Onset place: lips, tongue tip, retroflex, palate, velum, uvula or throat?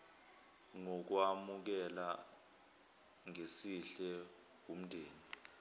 velum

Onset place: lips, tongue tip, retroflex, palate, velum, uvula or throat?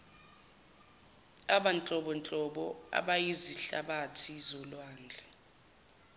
lips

